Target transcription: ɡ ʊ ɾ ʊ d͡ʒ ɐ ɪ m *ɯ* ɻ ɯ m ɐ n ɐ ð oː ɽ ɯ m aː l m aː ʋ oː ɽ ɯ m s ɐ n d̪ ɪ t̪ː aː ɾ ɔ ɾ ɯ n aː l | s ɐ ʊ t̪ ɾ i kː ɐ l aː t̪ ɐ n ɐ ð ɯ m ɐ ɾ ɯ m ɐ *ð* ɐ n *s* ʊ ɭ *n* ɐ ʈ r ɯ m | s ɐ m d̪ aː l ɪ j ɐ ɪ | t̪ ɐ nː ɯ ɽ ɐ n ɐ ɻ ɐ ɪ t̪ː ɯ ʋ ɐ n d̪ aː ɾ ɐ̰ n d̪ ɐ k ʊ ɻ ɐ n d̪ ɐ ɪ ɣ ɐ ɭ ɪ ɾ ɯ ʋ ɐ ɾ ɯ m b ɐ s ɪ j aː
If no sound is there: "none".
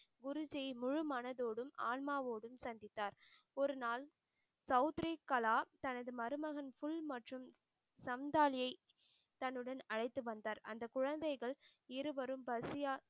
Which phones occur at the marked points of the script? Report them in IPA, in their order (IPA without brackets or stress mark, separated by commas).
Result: ʊ, ɣ, f, m